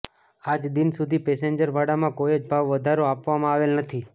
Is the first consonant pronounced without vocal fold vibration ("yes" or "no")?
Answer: no